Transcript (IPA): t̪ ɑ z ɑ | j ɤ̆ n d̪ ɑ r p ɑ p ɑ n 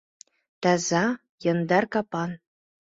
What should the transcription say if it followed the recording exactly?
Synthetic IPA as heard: t̪ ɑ z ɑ | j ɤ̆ n d̪ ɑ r k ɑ p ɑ n

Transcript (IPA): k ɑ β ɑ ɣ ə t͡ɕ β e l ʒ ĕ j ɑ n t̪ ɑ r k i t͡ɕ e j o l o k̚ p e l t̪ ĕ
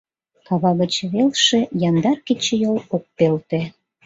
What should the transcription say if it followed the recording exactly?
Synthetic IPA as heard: k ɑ β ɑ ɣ ə t͡ɕ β e l ʃ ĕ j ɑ n d̪ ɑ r k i t͡ɕ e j o l o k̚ p e l t̪ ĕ

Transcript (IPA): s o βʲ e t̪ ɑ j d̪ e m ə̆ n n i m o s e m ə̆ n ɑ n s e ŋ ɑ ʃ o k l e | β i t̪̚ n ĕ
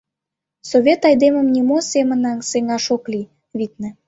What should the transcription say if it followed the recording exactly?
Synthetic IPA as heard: s o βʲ e t̪ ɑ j d̪ e m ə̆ m n i m o s e m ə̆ n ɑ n s e ŋ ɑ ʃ o k l i | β i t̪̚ n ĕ

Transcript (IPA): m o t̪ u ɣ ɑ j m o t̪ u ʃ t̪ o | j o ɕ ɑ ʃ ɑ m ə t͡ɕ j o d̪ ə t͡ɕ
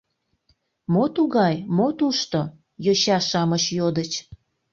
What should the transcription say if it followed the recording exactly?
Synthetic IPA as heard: m o t̪ u ɣ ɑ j m o t̪ u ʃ t̪ o | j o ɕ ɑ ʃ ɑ m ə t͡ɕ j o d̪ ə t͡ɕ

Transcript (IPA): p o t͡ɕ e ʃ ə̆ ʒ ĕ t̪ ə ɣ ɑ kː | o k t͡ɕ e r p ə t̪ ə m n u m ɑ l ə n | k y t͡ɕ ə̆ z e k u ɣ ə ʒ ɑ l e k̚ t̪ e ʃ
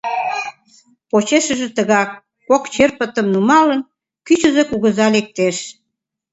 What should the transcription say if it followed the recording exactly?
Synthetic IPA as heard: p o t͡ɕ e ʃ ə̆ ʒ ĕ t̪ ə ɣ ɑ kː | o k t͡ɕ e r p ə t̪ ə m n u m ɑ l ə n | k y t͡ɕ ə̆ z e k u ɣ ə z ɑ l e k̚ t̪ e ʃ

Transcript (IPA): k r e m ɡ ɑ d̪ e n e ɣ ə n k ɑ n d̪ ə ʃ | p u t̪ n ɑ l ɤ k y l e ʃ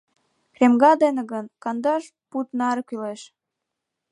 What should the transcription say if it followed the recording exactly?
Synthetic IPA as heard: k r e m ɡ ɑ d̪ e n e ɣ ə n k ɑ n d̪ ɑ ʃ | p u t̪ n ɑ ɾ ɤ k y l e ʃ

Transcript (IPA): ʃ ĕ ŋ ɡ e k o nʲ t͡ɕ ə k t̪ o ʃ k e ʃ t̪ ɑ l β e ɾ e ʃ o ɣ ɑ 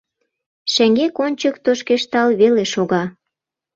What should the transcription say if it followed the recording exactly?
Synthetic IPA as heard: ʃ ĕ ŋ ɡ e k o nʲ t͡ɕ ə k t̪ o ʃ k e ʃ t̪ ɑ l β e l e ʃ o ɣ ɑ

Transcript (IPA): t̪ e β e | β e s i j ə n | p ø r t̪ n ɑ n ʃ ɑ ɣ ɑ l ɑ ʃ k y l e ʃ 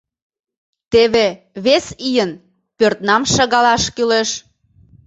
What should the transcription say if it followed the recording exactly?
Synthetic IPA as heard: t̪ e β e | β e s i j ə n | p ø r t̪ n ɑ m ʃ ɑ ɣ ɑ l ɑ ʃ k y l e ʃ

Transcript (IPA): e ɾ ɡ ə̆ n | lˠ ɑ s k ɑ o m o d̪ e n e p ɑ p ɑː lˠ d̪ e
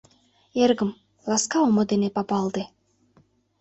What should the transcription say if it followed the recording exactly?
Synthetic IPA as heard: e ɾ ɡ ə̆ m | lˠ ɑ s k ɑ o m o d̪ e n e p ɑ p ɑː lˠ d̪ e

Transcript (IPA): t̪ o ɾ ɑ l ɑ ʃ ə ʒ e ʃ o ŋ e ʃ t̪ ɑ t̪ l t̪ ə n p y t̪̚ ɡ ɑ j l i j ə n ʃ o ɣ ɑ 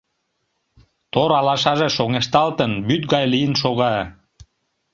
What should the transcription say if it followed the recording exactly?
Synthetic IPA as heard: t̪ o ɾ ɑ l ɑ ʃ ɑ ʒ e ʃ o ŋ e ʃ t̪ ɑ l t̪ ə n b y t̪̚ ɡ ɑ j l i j ə n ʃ o ɣ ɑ

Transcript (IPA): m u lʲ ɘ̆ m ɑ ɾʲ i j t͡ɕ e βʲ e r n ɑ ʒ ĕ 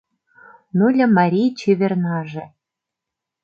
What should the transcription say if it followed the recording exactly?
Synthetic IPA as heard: n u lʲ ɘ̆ m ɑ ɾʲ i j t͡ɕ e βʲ e r n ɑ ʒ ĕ

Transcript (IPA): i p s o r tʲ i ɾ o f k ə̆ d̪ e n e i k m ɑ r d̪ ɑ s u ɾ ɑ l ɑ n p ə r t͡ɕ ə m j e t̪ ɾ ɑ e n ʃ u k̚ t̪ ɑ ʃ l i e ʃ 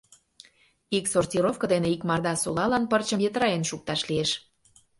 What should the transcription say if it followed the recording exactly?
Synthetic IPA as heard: i k s o r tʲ i ɾ o f k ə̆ d̪ e n e i k m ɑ r d̪ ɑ s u l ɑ l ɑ n p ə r t͡ɕ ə m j e t̪ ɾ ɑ e n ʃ u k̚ t̪ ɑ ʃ l i e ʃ

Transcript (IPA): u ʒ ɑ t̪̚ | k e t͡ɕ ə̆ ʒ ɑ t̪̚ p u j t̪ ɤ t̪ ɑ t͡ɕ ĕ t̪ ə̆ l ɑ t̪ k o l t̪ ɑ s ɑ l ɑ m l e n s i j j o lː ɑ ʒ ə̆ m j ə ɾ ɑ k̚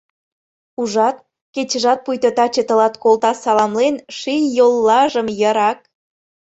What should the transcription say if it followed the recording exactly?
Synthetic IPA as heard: u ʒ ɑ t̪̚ | k e t͡ɕ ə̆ ʒ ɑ t̪̚ p u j t̪ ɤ t̪ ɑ t͡ɕ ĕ t̪ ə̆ l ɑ t̪ k o l t̪ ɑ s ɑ l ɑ m l e n ʃ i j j o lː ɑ ʒ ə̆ m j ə ɾ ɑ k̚

